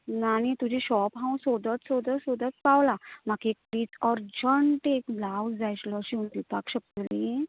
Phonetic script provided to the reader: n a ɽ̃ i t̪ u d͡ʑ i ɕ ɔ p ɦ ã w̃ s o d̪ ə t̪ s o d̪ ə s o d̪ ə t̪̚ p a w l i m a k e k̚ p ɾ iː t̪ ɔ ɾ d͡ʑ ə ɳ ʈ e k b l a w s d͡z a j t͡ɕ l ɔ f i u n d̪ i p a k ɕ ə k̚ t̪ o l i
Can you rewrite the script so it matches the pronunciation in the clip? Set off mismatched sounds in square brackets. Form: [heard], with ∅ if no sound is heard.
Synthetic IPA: n a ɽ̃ i t̪ u d͡ʑ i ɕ ɔ p ɦ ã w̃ s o d̪ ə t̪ s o d̪ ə s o d̪ ə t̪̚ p a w l [a] m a k e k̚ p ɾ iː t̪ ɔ ɾ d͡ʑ ə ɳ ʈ e k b l a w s d͡z a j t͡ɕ l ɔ [ɕ] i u n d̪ i p a k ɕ ə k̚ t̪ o l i